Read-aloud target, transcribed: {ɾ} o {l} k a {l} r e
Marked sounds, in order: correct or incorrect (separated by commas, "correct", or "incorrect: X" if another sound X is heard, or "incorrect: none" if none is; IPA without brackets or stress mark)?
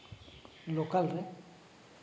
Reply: incorrect: l, incorrect: none, correct